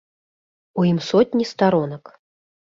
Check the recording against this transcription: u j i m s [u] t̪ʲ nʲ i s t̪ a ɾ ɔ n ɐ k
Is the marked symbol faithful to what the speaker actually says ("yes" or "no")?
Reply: no